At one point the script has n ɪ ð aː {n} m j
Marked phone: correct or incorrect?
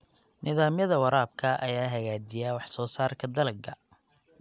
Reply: incorrect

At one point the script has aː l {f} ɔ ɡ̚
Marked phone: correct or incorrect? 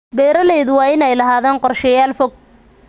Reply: correct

